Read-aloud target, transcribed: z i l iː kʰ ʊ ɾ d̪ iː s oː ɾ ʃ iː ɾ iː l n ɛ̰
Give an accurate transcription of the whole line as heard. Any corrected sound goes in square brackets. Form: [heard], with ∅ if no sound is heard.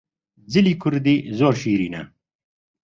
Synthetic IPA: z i l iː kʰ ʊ ɾ d̪ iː [z] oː ɾ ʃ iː ɾ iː [∅] n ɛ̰